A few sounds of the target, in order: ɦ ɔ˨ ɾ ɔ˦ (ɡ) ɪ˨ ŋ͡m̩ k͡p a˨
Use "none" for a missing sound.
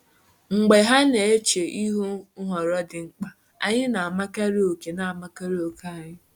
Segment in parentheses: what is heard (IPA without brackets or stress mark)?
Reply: d